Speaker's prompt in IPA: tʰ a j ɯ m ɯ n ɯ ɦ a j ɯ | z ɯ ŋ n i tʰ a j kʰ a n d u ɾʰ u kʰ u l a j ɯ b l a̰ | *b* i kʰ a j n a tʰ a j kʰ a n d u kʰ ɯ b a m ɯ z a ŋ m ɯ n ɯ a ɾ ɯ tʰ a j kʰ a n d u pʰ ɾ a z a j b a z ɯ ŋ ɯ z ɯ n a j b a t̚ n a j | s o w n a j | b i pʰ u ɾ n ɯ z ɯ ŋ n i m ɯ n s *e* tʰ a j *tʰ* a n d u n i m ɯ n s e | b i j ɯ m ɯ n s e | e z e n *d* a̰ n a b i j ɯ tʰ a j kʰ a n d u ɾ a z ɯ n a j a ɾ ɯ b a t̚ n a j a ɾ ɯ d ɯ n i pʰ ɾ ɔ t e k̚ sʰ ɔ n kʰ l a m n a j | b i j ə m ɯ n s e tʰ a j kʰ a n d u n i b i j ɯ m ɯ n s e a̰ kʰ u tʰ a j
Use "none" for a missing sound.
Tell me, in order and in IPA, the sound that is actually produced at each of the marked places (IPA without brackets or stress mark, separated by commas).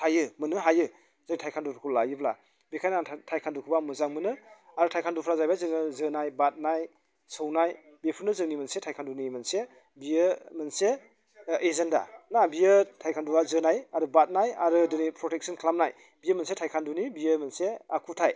b, e, kʰ, d